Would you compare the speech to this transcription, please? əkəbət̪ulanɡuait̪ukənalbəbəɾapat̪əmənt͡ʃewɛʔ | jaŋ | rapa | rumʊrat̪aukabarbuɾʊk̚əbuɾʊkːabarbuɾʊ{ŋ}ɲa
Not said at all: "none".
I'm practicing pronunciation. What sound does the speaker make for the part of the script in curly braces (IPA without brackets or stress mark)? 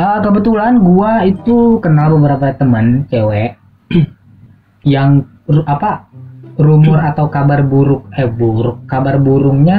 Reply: ŋ